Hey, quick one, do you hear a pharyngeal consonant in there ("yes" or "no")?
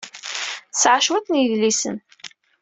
yes